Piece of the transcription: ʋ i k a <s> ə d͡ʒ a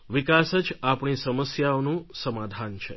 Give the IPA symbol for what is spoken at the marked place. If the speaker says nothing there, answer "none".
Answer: s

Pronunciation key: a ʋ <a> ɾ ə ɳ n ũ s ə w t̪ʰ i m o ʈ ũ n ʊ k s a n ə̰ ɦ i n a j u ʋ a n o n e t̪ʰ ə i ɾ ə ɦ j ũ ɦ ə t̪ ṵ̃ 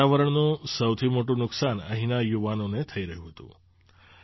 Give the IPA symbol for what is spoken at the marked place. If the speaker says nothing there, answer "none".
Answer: ə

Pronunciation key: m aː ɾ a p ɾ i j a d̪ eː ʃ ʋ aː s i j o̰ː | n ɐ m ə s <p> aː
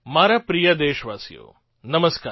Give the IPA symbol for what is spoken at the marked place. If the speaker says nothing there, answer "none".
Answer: k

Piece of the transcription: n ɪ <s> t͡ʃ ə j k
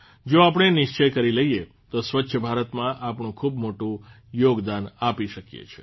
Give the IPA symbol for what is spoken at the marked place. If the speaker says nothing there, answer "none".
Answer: ʃ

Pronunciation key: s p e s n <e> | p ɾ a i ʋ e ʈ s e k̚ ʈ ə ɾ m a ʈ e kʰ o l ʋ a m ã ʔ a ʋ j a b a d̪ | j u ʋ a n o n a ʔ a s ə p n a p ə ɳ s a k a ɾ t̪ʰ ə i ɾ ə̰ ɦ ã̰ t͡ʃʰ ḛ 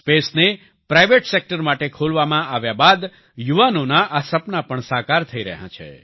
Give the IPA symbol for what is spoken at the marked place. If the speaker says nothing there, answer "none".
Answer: e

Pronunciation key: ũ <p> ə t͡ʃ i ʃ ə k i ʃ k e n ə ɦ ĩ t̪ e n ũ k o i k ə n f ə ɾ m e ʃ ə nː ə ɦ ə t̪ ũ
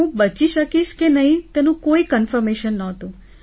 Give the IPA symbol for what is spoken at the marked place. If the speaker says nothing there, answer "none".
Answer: b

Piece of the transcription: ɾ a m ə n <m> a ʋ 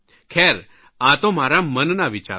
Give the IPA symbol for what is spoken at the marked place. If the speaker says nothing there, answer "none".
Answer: n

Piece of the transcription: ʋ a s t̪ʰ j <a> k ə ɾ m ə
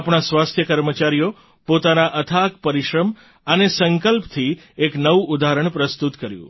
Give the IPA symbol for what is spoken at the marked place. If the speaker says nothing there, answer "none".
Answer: ə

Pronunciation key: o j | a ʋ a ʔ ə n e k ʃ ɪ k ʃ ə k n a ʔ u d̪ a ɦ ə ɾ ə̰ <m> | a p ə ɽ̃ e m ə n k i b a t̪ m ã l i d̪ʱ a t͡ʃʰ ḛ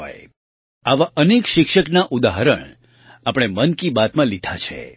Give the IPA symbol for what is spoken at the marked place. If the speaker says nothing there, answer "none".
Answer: ɳ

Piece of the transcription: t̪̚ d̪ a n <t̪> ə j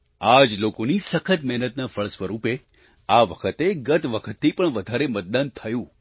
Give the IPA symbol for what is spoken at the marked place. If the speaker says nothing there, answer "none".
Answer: t̪ʰ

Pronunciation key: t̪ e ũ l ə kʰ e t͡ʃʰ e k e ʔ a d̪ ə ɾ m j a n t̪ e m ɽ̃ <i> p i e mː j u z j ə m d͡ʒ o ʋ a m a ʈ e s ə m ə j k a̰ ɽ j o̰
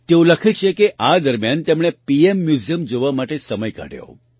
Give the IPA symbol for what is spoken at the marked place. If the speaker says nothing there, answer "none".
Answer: e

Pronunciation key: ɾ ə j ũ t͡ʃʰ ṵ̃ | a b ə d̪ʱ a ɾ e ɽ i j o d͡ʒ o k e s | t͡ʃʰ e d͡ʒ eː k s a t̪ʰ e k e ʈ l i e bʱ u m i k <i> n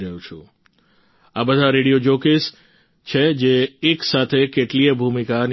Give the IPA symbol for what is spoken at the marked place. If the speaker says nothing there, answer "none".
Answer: a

